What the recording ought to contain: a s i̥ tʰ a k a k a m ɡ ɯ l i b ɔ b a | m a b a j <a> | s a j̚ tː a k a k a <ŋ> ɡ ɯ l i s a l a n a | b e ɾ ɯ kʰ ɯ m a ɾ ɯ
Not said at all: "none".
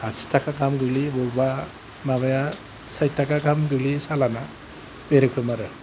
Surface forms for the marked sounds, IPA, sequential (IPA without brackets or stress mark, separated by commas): a, m